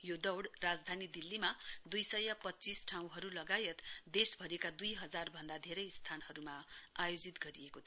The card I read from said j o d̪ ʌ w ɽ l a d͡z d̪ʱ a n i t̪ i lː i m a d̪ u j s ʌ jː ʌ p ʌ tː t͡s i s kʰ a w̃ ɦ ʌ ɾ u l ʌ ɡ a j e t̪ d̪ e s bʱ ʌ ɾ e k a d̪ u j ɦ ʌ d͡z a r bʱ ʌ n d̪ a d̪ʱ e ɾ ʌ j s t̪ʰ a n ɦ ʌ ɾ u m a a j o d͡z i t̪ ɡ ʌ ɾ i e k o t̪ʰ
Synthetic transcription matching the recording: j o d̪ ʌ w ɽ r a d͡z d̪ʱ a n i d̪ i lː i m a d̪ u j s ʌ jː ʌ p ʌ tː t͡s i s ʈʰ a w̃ ɦ ʌ ɾ u l ʌ ɡ a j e t̪ d̪ e s bʱ ʌ ɾ e k a d̪ u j ɦ ʌ d͡z a r bʱ ʌ n d̪ a d̪ʱ e ɾ ʌ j s t̪ʰ a n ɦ ʌ ɾ u m a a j o d͡z i t̪ ɡ ʌ ɾ i e k o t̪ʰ